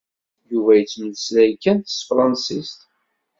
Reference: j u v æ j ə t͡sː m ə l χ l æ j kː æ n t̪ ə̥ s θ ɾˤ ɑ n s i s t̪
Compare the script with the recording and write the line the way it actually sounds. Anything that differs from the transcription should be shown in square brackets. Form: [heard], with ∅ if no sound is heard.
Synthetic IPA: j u v æ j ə t͡sː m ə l [s] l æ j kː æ n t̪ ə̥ s [f] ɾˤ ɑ n s i s t̪